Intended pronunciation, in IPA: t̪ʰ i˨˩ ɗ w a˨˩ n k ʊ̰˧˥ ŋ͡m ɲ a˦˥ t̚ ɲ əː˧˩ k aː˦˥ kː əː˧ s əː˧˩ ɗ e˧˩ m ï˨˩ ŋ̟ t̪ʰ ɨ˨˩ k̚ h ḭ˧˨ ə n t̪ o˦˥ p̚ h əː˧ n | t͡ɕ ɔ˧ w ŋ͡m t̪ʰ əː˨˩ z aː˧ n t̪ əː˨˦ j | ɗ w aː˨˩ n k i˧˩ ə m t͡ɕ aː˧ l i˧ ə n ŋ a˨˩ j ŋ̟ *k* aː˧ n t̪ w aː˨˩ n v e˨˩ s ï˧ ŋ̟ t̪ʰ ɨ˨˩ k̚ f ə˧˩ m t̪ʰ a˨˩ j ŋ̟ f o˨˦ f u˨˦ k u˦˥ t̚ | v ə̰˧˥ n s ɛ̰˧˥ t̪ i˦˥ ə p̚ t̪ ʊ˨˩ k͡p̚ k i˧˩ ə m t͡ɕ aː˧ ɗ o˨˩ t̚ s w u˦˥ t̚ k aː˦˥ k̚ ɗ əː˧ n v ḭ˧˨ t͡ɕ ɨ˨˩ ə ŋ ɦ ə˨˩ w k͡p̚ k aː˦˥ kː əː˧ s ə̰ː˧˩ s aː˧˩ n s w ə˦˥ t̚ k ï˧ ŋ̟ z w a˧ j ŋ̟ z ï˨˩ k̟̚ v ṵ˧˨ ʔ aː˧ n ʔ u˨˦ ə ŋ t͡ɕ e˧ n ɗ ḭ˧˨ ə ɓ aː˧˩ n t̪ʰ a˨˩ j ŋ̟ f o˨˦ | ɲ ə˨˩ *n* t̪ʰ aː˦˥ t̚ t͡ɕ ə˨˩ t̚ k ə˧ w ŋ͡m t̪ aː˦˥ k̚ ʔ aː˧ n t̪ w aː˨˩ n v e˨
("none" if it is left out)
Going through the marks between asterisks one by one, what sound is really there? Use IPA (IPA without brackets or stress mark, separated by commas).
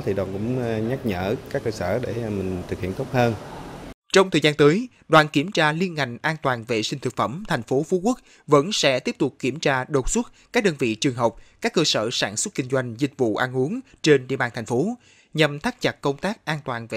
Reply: ʔ, m